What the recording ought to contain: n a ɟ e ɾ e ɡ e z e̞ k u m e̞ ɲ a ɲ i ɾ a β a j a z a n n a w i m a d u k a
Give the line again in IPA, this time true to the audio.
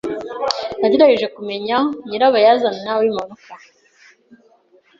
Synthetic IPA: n a ɟ e ɾ a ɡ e ʒ e̞ k u m e̞ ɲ a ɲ i ɾ a β a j a z a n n a w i m a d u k a